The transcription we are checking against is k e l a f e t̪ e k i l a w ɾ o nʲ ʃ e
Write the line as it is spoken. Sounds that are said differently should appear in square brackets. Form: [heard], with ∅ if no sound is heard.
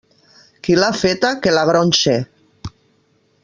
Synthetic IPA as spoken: k [i] l a f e t̪ [a] k [e] l a [ɣ] ɾ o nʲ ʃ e